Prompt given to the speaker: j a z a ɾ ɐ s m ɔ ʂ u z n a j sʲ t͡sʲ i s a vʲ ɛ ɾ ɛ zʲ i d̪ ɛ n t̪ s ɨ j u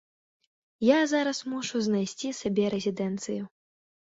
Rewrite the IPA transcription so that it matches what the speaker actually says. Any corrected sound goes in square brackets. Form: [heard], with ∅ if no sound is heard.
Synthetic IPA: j a z a ɾ ɐ s m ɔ ʂ u z n a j sʲ t͡sʲ i s a [bʲ] ɛ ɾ ɛ zʲ i d̪ ɛ n t̪ s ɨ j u